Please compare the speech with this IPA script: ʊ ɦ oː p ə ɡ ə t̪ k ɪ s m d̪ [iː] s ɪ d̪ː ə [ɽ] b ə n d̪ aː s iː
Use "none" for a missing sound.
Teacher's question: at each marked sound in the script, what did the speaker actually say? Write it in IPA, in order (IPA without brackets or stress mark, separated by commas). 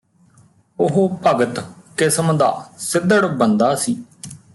aː, ɽ